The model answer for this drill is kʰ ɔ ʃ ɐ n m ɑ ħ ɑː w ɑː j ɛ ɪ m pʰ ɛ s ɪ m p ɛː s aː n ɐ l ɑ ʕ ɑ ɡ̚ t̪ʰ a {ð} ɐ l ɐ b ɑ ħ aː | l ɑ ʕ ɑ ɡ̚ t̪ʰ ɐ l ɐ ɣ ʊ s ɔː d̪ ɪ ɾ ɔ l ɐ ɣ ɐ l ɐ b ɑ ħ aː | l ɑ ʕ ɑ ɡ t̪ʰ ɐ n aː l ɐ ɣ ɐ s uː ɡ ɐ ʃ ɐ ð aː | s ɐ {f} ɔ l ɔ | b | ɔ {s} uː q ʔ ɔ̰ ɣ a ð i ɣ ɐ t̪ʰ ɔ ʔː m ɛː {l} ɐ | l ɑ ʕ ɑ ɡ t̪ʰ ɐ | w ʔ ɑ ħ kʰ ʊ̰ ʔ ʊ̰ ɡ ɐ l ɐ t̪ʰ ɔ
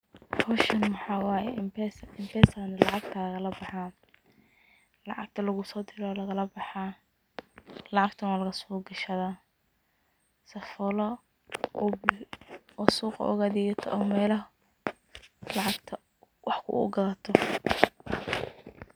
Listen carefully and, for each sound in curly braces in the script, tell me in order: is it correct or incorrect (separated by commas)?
incorrect, correct, correct, correct